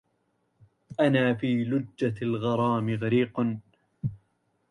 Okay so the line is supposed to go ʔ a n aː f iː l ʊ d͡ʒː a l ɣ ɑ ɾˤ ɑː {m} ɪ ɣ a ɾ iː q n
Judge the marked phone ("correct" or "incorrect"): correct